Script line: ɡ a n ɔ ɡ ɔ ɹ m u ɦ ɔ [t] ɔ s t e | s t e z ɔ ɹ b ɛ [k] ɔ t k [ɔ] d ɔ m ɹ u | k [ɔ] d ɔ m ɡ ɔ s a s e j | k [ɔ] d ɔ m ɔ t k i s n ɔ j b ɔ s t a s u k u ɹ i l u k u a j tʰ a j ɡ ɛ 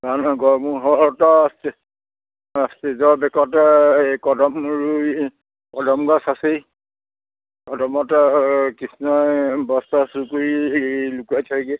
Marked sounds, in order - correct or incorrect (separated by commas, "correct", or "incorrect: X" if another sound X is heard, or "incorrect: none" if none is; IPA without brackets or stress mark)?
correct, correct, correct, correct, correct